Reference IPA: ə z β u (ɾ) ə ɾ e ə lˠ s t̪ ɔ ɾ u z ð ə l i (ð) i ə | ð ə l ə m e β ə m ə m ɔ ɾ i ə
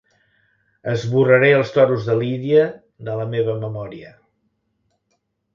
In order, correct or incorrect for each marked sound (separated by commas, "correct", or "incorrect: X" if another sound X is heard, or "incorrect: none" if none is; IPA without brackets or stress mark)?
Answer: incorrect: r, correct